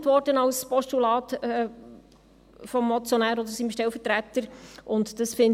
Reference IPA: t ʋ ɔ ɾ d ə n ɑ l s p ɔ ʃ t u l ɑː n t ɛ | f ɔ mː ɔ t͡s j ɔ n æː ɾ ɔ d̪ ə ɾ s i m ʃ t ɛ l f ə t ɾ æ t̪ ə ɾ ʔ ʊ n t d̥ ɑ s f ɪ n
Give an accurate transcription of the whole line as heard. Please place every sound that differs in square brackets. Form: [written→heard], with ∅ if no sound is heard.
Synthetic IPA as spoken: t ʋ ɔ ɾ d ə n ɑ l s p ɔ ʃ t u l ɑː [n→∅] t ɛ | f ɔ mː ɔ t͡s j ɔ n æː ɾ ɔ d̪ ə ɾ s i m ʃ t ɛ l f ə t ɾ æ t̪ ə ɾ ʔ ʊ n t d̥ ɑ s f ɪ n